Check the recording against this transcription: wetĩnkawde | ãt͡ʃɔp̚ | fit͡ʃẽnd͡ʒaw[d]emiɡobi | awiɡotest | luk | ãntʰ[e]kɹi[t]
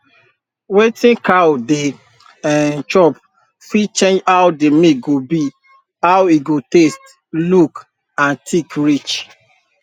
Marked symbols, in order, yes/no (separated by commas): yes, no, no